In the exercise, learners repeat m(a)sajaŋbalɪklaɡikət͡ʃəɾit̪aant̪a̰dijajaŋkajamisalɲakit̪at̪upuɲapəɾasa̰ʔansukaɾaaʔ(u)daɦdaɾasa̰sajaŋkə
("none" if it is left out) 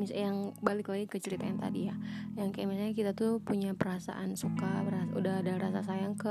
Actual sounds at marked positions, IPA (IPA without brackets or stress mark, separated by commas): i, u